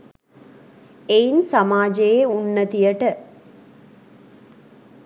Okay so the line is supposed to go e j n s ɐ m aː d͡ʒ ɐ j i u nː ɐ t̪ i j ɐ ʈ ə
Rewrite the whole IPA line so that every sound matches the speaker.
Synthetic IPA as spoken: e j n s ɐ m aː d͡ʒ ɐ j e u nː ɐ t̪ i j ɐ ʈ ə